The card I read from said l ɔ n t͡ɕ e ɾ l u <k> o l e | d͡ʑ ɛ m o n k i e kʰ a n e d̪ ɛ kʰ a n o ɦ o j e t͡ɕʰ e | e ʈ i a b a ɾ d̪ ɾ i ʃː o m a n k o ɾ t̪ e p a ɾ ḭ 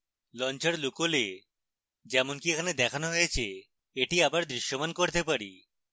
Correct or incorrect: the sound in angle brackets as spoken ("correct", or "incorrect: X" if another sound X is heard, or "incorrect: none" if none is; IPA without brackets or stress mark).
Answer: correct